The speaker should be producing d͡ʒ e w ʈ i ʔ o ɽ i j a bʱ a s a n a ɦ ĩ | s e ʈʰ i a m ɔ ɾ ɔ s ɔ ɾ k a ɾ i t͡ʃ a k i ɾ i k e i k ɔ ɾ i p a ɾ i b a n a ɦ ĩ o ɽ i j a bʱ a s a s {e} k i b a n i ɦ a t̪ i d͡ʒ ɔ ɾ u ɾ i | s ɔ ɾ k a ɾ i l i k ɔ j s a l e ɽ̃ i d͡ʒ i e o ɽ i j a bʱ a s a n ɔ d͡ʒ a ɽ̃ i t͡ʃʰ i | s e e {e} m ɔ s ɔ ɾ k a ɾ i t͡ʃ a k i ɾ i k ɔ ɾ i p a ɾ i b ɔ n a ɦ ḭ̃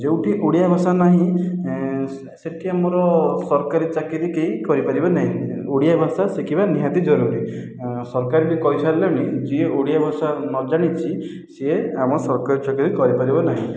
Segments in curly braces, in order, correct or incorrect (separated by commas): correct, incorrect